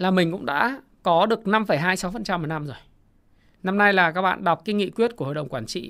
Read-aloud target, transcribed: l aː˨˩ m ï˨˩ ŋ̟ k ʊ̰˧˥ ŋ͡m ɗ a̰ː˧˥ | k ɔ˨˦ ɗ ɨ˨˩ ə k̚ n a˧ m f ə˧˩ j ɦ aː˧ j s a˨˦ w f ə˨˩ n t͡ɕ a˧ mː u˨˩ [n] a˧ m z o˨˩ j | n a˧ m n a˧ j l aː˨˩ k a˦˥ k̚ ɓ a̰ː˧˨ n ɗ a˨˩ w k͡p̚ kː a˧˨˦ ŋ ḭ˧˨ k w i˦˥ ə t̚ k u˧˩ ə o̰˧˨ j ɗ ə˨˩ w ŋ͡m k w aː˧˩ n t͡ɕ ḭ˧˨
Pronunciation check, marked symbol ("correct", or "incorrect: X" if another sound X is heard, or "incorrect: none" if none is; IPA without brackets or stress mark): correct